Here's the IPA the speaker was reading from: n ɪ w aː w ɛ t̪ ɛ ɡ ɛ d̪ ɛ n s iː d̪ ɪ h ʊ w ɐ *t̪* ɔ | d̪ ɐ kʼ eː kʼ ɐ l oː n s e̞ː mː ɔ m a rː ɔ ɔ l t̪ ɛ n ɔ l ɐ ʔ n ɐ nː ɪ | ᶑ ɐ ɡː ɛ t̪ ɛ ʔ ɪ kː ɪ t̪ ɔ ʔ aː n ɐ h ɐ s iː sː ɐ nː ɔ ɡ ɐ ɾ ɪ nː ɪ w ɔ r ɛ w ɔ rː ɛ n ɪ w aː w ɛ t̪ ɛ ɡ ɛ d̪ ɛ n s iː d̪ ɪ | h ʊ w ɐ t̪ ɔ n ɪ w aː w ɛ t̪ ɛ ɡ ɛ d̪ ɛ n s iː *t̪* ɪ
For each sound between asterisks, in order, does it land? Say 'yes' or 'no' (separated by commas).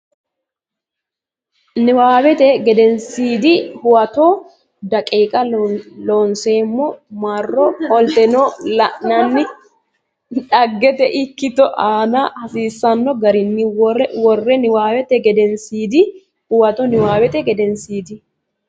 yes, no